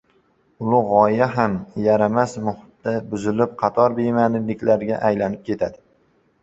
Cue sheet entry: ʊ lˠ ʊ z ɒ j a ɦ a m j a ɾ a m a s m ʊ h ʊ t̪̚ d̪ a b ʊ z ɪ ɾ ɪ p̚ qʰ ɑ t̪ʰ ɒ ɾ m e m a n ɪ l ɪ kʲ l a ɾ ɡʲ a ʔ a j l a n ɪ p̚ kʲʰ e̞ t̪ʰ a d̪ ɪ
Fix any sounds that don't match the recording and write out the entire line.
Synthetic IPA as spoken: ʊ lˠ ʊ ʁ ɒ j a ɦ a m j a ɾ a m a s m ʊ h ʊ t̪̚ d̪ a b ʊ z ɪ l ɪ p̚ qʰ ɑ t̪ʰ ɒ ɾ b e m a n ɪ l ɪ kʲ l a ɾ ɡʲ a ʔ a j l a n ɪ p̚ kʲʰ e̞ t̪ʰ a d̪ ɪ